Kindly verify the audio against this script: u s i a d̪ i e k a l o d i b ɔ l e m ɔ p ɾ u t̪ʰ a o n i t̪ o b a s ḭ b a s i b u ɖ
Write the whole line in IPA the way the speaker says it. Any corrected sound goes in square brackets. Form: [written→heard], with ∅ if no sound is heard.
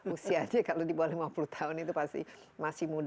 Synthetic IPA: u s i a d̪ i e k a l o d i b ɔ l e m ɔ p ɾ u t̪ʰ a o n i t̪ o [b→p] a s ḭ [b→m] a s i [b→m] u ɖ